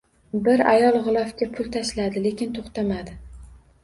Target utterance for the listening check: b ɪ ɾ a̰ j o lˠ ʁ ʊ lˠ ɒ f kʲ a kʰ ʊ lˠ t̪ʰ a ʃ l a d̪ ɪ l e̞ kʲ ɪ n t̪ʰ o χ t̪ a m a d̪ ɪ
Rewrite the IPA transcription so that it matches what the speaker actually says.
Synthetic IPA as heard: b ɪ ɾ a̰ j ɒ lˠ ʁ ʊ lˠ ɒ f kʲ a pʰ ʊ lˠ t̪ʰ a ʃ l a d̪ ɪ l e̞ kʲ ɪ n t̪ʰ o χ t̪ a m a d̪ ɪ